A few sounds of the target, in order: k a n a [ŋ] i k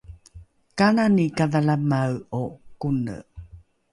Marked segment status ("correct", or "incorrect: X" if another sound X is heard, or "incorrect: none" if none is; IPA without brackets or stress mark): incorrect: n